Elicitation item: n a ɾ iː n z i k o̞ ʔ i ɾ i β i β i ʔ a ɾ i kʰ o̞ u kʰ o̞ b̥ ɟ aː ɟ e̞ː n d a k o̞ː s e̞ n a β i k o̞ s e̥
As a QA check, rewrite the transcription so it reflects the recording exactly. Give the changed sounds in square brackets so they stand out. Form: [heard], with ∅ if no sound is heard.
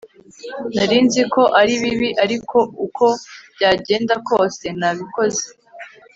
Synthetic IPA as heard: n a ɾ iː n z i k o̞ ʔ [a] ɾ i β i β i ʔ a ɾ i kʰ o̞ u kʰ o̞ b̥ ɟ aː ɟ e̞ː n d a k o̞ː s e̞ n a β i k o̞ [z] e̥